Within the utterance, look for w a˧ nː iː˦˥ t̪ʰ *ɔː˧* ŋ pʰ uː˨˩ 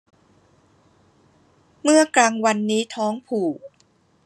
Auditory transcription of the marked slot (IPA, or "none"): ɔː˦˥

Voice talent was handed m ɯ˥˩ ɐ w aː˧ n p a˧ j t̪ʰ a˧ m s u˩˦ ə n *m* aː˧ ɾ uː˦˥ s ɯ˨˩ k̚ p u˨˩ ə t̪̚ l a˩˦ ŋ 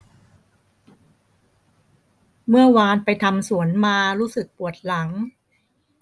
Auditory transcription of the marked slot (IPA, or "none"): m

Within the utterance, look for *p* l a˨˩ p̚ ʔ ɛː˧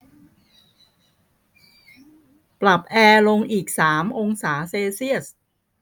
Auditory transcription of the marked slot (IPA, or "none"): p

